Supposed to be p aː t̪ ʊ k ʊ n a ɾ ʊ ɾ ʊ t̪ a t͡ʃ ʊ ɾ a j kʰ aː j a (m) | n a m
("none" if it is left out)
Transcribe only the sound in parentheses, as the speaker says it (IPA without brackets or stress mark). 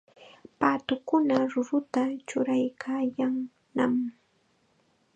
ŋ